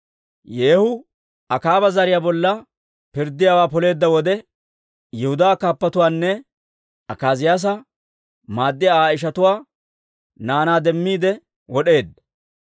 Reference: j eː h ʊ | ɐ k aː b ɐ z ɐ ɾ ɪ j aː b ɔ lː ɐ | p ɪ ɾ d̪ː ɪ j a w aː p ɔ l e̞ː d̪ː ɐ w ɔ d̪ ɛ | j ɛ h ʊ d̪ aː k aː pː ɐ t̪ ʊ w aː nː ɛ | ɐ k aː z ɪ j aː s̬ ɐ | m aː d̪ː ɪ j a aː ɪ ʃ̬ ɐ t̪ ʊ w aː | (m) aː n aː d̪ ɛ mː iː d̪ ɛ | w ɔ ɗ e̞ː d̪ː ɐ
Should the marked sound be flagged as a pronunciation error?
yes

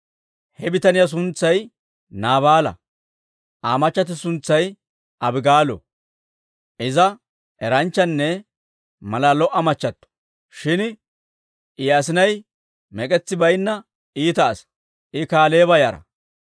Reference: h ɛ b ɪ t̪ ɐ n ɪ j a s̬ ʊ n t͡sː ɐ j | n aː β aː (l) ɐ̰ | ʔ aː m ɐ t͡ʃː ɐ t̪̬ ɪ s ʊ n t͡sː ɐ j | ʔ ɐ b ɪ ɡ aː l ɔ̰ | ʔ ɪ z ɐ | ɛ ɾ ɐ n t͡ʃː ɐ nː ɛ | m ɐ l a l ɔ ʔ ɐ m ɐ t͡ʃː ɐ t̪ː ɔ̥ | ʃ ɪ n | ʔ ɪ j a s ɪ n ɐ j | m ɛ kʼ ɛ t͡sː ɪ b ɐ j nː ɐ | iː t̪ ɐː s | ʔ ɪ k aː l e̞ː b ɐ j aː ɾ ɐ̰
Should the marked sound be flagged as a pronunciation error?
no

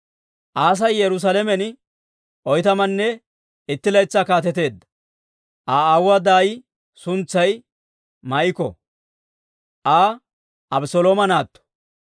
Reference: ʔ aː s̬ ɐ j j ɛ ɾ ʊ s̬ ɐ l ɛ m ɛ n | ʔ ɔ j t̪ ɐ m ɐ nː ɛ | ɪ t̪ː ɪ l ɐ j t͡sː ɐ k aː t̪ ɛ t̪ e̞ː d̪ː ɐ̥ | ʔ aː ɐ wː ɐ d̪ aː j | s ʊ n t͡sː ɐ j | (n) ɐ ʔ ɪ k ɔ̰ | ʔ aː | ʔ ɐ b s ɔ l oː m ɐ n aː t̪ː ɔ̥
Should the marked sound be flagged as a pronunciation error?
yes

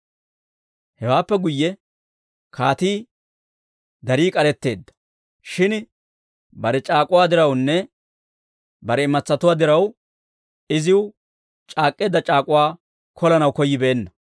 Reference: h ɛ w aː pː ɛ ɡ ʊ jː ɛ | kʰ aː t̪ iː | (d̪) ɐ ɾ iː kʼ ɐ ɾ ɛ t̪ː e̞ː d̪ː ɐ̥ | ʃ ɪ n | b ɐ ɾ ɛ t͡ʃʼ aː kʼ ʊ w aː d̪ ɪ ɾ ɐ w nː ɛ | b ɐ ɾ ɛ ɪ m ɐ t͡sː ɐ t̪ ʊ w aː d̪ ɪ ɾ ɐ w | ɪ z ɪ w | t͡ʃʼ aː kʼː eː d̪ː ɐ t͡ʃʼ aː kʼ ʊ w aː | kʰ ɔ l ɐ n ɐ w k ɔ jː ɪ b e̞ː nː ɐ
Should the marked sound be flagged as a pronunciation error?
no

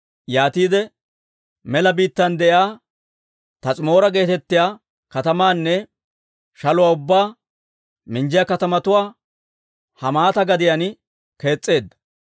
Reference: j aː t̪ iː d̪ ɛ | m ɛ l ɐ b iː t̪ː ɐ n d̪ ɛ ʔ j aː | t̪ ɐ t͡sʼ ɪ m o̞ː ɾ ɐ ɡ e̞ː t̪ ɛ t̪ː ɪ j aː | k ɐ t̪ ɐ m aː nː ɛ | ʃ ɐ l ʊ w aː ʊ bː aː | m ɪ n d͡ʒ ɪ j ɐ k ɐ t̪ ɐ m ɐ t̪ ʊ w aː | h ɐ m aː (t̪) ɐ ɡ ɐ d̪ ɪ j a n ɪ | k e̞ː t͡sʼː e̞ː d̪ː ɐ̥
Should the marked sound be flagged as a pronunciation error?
no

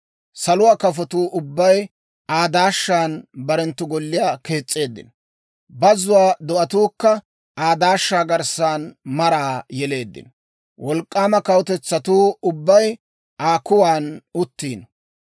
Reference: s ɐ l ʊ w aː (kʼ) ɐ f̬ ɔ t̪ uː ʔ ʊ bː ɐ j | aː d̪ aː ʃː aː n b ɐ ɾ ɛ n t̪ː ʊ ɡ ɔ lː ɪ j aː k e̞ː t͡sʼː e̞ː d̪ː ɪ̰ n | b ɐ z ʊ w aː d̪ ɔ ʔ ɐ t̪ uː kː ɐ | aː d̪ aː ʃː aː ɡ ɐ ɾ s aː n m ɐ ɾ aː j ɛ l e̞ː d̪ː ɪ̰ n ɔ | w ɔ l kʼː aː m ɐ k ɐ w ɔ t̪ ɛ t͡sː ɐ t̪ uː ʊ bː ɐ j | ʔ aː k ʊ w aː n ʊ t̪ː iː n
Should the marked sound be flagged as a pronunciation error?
yes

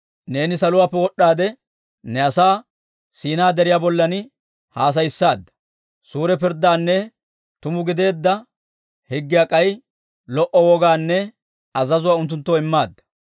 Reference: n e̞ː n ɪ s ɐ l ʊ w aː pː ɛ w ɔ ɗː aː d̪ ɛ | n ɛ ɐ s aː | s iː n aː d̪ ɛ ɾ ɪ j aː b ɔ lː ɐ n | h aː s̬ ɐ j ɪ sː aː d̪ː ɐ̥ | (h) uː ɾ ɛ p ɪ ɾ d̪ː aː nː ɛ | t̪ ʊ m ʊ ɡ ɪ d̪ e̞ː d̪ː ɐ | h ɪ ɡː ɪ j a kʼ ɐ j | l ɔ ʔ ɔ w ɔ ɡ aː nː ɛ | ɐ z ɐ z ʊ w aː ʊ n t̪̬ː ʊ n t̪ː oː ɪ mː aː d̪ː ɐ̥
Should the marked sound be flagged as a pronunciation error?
yes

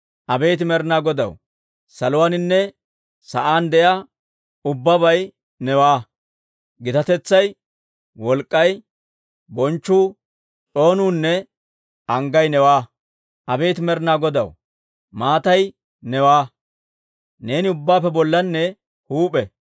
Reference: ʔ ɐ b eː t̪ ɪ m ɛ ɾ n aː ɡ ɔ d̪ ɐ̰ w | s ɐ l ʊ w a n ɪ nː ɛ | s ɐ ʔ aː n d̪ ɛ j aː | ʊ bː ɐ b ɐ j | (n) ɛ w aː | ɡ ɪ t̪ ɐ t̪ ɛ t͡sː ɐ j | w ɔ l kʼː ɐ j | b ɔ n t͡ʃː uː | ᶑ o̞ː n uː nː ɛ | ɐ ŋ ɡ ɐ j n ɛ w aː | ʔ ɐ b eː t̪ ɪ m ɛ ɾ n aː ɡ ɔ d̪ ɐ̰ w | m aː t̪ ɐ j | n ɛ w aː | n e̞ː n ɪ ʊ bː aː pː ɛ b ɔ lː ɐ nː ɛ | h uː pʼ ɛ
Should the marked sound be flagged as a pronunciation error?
no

